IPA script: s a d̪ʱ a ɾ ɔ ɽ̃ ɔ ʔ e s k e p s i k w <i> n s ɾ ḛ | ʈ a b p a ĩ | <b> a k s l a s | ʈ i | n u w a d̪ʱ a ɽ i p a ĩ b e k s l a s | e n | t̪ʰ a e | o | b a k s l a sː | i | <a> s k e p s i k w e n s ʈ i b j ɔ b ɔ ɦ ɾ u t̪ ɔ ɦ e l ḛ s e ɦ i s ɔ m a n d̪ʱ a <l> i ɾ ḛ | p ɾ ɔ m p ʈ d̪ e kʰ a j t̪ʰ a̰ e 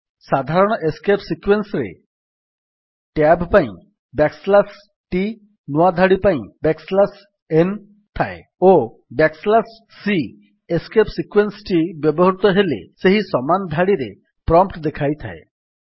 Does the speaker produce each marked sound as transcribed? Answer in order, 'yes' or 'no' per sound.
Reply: no, yes, no, no

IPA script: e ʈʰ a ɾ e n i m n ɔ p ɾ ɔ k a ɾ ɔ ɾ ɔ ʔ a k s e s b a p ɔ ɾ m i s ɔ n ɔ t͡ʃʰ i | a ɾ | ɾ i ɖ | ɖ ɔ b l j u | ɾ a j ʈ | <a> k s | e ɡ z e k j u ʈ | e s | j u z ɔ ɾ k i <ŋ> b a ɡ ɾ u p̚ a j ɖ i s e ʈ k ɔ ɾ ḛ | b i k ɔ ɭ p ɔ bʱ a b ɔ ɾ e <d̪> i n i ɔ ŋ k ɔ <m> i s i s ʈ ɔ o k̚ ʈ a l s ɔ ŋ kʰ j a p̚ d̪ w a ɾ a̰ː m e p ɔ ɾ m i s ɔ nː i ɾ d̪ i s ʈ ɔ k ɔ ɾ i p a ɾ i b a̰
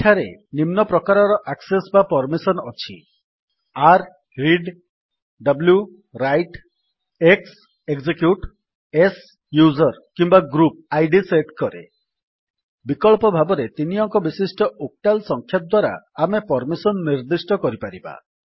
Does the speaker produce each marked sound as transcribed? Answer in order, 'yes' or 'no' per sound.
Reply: no, no, no, no

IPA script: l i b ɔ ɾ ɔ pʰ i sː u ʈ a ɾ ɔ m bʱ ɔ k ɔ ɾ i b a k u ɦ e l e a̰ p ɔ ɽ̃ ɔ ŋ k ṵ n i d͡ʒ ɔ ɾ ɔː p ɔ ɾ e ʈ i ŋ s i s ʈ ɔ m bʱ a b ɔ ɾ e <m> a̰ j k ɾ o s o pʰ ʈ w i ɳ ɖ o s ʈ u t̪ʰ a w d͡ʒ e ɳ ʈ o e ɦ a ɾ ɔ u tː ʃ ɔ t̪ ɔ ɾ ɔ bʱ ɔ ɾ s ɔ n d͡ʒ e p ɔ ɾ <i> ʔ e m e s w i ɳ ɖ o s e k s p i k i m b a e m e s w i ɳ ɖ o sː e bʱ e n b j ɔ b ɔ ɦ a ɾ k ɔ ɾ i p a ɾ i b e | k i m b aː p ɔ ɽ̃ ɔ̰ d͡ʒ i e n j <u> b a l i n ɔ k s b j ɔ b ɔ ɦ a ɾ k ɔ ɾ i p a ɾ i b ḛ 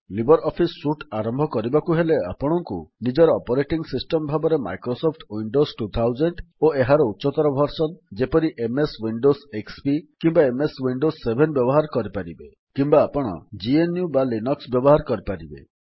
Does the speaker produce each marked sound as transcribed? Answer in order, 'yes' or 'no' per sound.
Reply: yes, yes, yes

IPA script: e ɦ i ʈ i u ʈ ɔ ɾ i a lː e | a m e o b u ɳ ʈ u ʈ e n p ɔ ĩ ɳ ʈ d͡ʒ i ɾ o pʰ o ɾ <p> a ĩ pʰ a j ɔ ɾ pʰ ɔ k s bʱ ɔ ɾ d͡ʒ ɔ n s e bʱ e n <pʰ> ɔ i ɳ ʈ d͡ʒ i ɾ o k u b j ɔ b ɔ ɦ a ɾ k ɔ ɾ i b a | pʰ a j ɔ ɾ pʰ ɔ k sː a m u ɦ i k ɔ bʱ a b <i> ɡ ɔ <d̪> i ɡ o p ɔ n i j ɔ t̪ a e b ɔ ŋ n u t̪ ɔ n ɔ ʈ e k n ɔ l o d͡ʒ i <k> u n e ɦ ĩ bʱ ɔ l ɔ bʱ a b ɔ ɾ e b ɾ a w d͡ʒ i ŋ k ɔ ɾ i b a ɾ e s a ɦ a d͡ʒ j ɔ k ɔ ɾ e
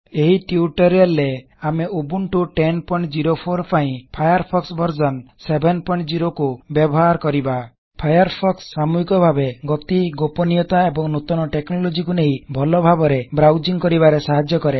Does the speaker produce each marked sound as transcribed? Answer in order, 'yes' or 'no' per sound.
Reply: yes, no, no, no, yes

